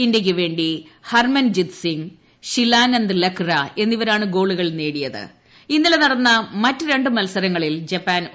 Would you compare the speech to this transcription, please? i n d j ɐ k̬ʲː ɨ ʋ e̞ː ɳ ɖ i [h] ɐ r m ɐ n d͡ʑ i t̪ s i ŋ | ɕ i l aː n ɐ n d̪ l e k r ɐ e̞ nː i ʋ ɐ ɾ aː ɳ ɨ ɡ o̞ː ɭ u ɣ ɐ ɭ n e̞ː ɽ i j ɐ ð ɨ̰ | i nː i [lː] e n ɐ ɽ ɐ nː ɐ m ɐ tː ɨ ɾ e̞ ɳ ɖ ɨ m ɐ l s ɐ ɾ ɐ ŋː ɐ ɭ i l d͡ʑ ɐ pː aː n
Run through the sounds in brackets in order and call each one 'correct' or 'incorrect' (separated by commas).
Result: correct, incorrect